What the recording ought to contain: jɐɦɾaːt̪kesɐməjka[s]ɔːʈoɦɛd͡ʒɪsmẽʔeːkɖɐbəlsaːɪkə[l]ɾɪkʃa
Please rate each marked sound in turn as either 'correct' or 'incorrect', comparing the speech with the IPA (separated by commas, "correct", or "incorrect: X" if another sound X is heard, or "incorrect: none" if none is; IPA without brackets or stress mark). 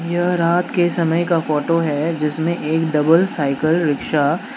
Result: incorrect: f, correct